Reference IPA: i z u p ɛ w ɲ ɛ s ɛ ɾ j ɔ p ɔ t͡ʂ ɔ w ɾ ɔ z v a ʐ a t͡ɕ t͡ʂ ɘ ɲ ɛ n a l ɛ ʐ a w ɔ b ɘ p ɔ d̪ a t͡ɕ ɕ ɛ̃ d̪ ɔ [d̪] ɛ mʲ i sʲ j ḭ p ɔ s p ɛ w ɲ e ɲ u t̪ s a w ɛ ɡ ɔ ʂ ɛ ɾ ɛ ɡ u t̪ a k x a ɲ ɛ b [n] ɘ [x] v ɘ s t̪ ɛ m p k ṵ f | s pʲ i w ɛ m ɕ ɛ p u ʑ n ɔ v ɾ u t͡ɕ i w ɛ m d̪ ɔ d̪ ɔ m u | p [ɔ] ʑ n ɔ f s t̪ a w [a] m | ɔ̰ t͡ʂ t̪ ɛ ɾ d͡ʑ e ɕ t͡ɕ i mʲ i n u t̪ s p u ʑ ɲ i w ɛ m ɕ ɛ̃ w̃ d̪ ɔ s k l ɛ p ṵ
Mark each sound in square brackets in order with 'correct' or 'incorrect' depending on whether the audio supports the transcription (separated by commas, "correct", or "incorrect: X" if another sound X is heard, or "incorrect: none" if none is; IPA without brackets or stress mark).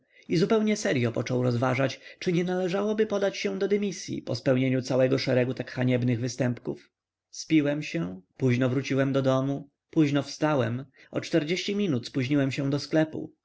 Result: correct, correct, incorrect: ɣ, incorrect: u, incorrect: ɛ